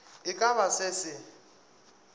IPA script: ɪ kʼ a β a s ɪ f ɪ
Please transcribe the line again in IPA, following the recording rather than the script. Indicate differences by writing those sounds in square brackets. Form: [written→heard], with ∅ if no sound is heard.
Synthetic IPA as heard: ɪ kʼ a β a s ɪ [f→s] ɪ